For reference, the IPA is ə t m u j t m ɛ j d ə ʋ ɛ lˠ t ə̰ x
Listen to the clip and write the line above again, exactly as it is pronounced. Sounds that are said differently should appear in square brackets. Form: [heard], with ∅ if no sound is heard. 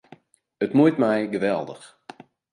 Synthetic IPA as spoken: ə t m u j t m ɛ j [ɡ] ə ʋ ɛ lˠ [d] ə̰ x

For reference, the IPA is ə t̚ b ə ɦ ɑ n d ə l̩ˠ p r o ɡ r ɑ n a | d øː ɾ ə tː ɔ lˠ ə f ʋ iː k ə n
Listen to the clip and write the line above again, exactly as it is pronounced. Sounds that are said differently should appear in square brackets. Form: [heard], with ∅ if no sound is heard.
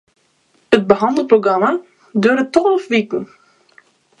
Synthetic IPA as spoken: ə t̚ b ə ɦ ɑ n d ə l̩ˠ p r o ɡ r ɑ [m] a | d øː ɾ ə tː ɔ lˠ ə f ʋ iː k ə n

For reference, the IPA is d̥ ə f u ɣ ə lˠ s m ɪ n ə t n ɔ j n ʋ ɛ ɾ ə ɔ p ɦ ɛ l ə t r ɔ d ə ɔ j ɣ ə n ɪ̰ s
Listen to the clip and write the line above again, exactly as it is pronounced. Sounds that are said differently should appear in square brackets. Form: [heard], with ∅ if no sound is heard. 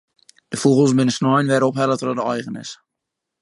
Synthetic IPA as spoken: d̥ ə f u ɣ ə lˠ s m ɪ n ə [s] n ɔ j n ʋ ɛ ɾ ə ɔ p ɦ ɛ l ə t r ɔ d ə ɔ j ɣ ə n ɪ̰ s

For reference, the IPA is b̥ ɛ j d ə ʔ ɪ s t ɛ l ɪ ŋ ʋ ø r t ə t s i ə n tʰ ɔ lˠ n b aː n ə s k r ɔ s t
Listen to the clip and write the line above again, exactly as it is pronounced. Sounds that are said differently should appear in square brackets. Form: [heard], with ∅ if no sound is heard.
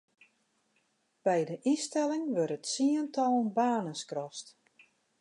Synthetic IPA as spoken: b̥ ɛ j d ə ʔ [i] s t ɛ l ɪ ŋ ʋ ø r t ə t s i ə n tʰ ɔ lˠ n b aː n ə s k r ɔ s t

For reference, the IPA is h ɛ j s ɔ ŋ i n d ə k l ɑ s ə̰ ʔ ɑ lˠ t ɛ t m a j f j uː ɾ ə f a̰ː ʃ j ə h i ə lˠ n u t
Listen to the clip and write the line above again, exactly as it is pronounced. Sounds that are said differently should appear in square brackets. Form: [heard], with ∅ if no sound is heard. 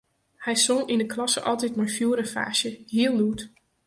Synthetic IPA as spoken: h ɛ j s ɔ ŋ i n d ə k l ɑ s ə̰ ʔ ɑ lˠ t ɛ t m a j f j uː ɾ ə f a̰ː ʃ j ə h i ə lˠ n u t

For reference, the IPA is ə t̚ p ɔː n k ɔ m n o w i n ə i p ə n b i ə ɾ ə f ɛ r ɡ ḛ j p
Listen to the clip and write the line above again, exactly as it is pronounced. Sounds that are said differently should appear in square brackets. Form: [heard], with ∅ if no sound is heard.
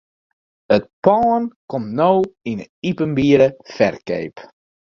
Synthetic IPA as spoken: ə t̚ p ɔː n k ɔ m n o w i n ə i p ə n b i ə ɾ ə f ɛ r [k] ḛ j p

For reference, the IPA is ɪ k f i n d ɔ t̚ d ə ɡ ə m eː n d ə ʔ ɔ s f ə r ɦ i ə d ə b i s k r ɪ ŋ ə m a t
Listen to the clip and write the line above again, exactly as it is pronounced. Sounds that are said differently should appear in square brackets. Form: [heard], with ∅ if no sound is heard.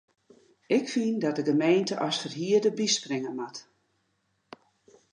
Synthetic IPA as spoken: ɪ k f i n d ɔ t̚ d ə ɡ ə m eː n [t] ə ʔ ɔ s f ə r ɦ i ə d ə b i s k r ɪ ŋ ə m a t

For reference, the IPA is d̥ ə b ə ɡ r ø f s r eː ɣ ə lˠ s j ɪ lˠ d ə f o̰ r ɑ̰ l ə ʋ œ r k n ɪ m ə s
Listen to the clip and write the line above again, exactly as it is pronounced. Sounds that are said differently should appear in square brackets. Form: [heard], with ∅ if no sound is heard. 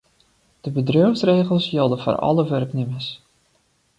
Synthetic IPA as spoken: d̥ ə b ə [d] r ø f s r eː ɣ ə lˠ s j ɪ lˠ d ə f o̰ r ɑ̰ l ə ʋ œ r k n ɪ m ə s

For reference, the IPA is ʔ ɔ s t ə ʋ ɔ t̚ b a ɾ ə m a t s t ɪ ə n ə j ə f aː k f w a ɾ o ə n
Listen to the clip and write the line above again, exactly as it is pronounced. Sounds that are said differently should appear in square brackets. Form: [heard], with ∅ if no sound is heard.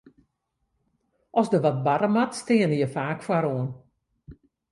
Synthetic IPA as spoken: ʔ ɔ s [d] ə ʋ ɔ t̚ b a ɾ ə m a t s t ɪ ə n ə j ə f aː k f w a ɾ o ə n

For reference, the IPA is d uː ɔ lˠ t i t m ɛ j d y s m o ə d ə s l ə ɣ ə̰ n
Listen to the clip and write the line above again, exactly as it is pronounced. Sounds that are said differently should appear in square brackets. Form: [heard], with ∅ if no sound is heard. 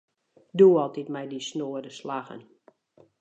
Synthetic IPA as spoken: d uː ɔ lˠ t i t m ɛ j d [i] s [n] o ə d ə s l [a] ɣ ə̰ n

